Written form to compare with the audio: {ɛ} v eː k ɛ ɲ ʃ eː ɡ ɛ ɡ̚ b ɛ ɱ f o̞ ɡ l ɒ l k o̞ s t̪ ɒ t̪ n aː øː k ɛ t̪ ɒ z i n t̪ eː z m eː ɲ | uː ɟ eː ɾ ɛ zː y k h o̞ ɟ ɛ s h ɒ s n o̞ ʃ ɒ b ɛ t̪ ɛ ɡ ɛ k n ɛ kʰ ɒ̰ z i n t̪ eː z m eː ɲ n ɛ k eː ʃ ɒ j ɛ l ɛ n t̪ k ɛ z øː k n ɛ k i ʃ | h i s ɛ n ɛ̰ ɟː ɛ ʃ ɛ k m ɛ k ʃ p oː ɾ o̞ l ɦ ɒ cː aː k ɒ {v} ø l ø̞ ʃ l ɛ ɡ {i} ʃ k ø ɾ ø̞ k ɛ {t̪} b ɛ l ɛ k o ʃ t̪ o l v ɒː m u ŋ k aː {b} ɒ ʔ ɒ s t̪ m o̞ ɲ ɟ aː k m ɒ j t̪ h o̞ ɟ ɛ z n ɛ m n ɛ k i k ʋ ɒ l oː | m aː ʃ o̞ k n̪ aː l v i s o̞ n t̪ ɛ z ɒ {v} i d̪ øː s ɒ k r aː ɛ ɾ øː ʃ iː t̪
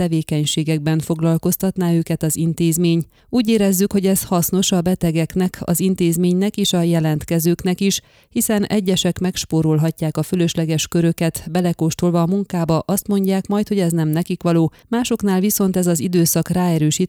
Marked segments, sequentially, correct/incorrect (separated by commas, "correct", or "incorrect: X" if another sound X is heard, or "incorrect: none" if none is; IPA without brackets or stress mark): correct, incorrect: f, incorrect: ɛ, correct, correct, incorrect: z